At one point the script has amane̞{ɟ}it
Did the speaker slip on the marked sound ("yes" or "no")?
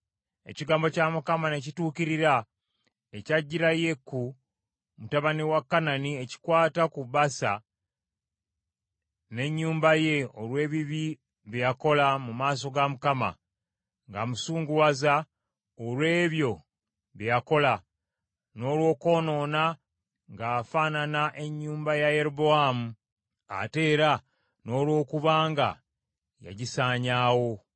yes